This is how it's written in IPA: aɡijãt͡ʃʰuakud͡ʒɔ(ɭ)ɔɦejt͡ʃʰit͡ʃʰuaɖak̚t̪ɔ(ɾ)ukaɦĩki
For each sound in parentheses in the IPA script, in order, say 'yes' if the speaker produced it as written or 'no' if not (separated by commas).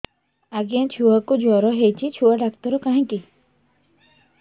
no, yes